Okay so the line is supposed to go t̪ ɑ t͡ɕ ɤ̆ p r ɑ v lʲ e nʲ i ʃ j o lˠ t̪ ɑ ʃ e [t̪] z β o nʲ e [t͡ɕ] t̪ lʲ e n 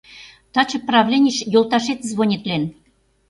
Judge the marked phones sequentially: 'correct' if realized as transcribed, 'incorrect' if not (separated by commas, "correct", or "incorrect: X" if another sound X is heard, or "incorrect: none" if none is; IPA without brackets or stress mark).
correct, incorrect: none